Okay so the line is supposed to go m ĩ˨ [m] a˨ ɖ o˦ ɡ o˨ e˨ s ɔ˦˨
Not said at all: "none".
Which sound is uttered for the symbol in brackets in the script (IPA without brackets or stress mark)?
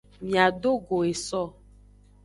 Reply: none